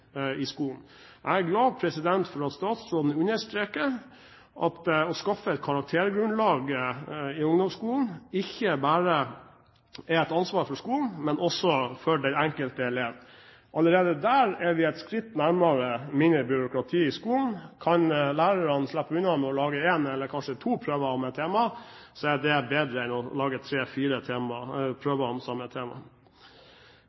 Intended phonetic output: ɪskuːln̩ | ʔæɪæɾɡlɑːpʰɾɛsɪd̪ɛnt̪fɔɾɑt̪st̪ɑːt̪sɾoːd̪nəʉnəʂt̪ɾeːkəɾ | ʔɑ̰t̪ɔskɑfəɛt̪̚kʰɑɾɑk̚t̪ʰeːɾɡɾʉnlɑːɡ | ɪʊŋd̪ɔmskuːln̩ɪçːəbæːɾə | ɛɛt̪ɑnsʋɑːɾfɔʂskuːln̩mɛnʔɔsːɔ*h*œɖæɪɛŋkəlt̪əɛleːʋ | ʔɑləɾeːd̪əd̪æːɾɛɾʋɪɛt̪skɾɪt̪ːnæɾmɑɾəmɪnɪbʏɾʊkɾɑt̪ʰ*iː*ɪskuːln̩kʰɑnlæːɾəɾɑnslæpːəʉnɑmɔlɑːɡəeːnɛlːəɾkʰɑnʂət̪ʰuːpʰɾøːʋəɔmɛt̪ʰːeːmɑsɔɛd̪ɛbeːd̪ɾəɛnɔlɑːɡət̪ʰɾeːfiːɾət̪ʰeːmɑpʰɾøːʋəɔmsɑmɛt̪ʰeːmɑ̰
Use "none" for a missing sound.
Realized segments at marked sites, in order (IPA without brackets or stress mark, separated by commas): f, iː